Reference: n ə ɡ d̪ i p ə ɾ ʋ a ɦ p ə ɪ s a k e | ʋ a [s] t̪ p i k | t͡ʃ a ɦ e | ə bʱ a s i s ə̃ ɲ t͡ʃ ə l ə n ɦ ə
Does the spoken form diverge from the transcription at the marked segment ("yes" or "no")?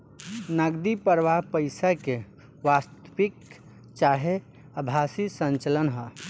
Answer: no